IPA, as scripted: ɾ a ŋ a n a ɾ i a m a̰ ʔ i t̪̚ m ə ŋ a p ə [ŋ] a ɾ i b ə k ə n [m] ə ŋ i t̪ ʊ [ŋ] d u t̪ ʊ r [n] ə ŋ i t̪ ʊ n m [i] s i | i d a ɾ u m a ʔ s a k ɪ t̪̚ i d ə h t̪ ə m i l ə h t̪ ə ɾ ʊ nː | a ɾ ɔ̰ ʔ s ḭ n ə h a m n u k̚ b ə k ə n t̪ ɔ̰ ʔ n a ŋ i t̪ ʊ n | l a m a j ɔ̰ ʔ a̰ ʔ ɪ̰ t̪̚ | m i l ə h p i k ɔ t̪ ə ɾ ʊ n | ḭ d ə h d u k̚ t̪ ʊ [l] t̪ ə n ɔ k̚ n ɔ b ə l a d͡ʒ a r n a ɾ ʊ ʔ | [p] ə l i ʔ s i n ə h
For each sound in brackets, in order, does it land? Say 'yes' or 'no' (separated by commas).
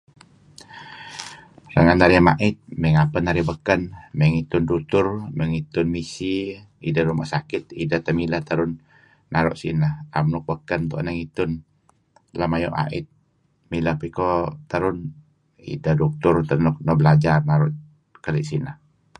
no, yes, no, no, yes, no, no